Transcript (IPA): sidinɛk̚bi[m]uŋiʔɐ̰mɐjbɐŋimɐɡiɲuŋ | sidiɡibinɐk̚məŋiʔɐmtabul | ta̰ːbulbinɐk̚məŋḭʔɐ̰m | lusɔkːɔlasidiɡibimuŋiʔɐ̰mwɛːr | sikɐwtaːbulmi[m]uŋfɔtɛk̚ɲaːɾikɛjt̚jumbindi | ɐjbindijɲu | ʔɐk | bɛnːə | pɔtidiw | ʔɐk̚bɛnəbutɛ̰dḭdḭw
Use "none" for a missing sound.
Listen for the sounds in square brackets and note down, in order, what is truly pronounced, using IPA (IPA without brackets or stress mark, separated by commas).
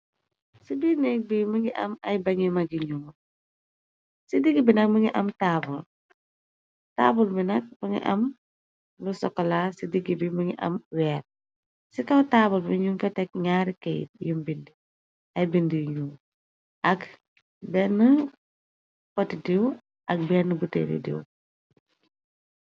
m, ɲ